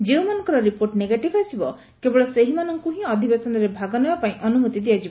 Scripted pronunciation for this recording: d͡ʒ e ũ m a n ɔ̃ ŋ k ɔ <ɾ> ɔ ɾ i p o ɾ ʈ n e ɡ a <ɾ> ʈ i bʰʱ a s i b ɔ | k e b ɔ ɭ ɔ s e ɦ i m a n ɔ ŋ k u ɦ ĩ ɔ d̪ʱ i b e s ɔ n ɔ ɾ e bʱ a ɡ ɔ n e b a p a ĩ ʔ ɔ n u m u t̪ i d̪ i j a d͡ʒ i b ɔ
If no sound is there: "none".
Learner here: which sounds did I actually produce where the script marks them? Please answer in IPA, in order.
ɾ, none

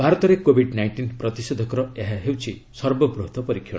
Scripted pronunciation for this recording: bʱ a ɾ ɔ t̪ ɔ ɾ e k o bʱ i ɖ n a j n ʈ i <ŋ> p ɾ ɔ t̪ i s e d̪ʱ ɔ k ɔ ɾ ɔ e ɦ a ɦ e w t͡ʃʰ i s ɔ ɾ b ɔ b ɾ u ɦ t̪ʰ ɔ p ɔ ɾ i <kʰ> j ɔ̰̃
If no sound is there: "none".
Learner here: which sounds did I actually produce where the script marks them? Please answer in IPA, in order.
n, kʰ

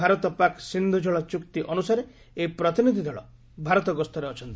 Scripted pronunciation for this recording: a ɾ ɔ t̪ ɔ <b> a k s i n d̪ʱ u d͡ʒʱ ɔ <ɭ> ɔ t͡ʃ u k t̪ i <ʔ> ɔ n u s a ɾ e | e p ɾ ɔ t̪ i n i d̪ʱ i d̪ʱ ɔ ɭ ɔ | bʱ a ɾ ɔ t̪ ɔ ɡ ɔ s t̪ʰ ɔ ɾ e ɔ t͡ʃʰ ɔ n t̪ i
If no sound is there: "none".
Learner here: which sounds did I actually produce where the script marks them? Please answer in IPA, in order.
p, ɭ, ʔ

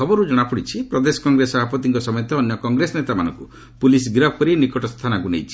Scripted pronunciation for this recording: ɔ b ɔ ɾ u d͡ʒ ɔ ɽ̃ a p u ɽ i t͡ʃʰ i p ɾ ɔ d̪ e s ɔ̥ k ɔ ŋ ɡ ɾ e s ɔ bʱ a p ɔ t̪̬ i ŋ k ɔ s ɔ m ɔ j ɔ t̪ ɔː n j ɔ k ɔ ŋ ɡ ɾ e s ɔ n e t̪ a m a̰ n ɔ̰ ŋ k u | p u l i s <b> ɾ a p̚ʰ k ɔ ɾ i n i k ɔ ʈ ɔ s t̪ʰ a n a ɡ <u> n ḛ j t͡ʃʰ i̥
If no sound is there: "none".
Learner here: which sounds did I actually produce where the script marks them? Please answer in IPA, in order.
ɡ, u

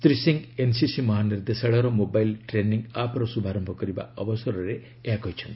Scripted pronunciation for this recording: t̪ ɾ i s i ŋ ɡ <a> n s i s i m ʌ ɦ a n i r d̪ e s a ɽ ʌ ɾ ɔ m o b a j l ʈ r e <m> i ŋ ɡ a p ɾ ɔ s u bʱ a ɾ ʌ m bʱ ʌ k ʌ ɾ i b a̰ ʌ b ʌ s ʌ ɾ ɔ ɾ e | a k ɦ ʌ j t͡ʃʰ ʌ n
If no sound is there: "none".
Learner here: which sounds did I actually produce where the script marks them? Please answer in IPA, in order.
e, n

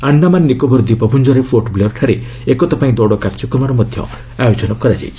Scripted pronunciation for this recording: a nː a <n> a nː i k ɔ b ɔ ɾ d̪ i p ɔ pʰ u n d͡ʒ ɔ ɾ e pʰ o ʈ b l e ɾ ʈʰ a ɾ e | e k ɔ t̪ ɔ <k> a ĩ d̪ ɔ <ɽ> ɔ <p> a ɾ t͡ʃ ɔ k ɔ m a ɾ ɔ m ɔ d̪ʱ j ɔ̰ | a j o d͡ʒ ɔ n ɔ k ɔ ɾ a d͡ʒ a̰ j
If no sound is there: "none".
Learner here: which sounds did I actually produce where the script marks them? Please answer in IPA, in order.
m, p, ɽ, k

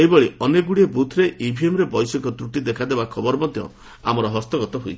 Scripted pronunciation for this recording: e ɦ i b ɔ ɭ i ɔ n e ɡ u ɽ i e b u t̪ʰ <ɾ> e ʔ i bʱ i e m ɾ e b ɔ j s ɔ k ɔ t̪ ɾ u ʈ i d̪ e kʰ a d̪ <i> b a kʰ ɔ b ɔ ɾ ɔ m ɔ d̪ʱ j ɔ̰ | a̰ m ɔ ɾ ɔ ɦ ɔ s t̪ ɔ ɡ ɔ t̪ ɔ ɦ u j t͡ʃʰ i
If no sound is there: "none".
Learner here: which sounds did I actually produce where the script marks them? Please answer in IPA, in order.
ɾ, e

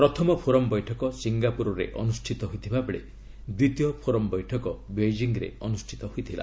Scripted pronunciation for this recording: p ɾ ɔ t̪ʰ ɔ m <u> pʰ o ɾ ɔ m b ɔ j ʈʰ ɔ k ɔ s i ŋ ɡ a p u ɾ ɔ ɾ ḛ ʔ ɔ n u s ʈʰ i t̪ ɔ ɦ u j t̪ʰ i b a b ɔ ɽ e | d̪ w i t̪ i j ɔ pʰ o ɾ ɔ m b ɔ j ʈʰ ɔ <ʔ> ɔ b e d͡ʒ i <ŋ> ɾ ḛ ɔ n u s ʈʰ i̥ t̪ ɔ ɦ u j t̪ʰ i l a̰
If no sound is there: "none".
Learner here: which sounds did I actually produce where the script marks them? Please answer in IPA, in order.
ɔ, k, ŋ

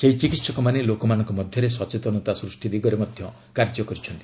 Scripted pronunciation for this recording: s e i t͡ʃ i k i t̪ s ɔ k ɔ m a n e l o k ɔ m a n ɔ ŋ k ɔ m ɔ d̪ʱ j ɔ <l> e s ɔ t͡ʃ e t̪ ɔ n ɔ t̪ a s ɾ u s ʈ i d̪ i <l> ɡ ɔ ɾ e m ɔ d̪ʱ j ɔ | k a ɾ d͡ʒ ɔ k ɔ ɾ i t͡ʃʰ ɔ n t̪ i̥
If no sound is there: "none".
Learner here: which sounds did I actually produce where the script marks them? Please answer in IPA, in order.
ɾ, none

